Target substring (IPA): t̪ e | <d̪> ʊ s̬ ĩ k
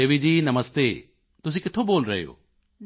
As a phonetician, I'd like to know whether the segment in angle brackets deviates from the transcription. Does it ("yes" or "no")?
yes